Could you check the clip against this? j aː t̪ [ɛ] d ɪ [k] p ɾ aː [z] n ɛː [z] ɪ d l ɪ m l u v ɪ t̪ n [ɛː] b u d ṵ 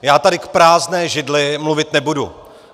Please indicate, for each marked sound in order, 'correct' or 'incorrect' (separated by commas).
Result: incorrect, correct, correct, incorrect, incorrect